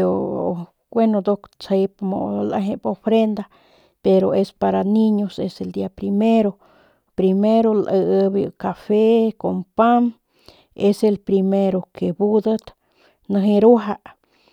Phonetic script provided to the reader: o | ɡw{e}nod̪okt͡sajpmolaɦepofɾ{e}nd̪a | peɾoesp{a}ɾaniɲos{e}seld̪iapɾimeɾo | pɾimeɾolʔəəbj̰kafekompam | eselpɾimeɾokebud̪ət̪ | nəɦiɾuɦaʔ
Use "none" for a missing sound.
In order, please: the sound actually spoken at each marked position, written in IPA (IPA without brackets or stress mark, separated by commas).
e, e, a, e